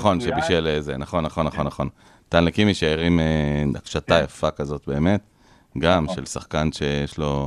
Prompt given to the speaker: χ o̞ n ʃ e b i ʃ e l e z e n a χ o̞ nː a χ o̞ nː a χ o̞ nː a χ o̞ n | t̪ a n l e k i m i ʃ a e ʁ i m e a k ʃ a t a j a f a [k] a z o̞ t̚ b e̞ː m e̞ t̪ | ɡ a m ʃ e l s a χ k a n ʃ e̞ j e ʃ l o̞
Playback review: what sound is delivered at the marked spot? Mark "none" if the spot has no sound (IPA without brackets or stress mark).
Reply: k